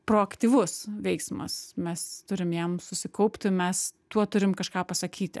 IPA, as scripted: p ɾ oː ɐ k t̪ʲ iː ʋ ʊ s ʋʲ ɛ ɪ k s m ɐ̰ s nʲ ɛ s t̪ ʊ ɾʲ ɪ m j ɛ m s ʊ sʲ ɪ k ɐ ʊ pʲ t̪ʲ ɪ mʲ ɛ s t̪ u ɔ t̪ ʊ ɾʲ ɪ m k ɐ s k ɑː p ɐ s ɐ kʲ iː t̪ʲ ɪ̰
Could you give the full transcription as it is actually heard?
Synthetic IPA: p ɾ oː ɐ k t̪ʲ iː ʋ ʊ s ʋʲ ɛ ɪ k s m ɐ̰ s mʲ ɛ s t̪ ʊ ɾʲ ɪ m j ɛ m s ʊ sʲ ɪ k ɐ ʊ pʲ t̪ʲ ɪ mʲ ɛ s t̪ u ɔ t̪ ʊ ɾʲ ɪ m k ɐ ʃ k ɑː p ɐ s ɐ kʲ iː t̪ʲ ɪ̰